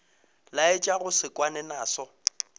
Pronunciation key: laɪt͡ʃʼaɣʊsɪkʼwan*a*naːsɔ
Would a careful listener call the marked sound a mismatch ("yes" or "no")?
yes